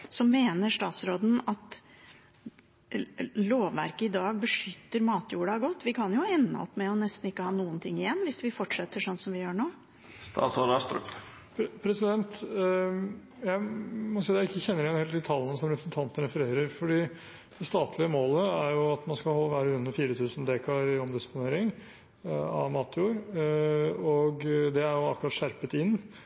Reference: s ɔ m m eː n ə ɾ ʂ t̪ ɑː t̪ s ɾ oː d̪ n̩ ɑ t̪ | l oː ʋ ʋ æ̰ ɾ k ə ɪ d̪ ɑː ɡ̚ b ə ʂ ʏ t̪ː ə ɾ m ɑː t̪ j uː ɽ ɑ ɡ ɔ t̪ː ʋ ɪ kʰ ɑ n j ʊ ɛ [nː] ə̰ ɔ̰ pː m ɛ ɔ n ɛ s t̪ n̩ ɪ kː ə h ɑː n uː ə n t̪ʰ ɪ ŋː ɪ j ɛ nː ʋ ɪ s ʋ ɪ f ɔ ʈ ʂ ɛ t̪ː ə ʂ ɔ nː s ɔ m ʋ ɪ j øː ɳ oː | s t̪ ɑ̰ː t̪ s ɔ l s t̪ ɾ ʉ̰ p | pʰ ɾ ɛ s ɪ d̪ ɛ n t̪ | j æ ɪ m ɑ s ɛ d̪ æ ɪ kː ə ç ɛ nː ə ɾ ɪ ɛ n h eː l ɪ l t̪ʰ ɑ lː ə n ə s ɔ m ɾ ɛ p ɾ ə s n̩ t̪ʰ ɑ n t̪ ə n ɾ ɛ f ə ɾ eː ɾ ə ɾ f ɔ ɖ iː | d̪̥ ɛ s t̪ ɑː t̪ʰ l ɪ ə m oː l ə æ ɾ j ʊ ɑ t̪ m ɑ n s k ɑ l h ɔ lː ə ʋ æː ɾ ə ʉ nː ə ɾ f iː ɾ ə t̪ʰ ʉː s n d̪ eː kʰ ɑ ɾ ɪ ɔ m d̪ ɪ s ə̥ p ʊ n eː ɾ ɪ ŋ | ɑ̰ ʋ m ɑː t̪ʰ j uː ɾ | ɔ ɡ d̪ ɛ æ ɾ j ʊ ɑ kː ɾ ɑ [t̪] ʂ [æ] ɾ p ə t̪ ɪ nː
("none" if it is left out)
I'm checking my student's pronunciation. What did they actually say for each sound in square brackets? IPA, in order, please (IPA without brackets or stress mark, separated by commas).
nː, t̪, æ